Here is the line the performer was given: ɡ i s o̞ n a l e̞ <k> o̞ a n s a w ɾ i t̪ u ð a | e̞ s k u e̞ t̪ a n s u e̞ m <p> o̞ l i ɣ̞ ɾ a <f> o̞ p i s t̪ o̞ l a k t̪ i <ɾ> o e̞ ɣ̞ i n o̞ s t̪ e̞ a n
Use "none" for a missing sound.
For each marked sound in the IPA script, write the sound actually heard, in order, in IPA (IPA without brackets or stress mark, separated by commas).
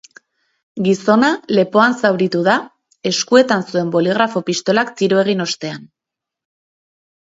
p, b, f, ɾ